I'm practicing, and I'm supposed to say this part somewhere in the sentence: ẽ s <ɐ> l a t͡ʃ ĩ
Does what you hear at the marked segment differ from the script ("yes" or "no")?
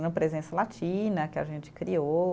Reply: no